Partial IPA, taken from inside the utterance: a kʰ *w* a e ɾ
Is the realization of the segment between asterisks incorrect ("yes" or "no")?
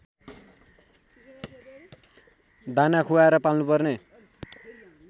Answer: yes